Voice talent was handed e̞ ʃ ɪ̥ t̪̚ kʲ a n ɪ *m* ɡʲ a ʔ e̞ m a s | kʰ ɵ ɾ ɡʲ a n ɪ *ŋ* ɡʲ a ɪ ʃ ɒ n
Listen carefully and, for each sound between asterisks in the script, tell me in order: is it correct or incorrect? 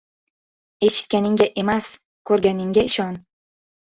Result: incorrect, correct

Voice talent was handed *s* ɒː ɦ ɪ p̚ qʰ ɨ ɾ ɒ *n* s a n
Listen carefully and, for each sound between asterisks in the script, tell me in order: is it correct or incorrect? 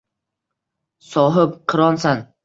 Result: correct, correct

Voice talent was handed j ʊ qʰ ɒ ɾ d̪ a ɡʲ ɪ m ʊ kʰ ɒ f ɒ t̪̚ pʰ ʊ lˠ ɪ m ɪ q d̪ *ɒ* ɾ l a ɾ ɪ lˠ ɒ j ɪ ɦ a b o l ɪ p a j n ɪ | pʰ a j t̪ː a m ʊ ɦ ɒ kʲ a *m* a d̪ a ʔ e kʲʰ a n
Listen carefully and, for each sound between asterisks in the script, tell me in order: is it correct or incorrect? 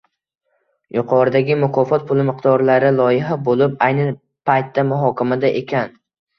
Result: correct, correct

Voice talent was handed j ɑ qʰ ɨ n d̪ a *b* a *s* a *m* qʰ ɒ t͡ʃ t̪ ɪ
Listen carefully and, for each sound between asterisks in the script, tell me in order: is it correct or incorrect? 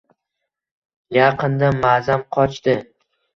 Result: incorrect, incorrect, correct

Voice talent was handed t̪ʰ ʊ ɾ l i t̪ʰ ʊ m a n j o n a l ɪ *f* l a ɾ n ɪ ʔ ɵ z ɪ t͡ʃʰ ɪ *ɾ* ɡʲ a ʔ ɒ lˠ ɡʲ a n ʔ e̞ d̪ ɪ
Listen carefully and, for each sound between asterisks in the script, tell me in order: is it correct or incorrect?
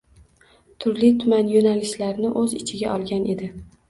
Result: incorrect, incorrect

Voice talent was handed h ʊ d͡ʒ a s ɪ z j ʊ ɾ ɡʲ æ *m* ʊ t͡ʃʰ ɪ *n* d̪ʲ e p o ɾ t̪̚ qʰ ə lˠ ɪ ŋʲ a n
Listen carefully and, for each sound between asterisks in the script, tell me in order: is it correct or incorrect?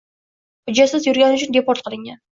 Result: incorrect, correct

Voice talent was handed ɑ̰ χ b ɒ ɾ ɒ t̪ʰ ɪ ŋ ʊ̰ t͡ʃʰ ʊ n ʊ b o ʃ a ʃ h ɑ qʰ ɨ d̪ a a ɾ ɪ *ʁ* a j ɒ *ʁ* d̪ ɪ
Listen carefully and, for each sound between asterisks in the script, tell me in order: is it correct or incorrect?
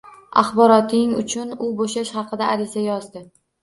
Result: incorrect, incorrect

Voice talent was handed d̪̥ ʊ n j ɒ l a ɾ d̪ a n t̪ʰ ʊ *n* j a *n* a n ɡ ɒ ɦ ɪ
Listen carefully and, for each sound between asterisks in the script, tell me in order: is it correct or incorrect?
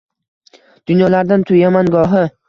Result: incorrect, incorrect

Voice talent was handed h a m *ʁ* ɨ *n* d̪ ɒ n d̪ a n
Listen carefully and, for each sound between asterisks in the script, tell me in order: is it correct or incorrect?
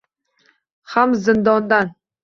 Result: incorrect, correct

